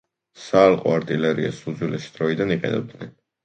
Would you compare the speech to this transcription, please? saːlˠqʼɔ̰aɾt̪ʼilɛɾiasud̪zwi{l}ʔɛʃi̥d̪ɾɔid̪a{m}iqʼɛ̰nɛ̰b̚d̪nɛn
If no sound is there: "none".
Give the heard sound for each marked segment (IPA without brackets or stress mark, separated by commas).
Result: l, n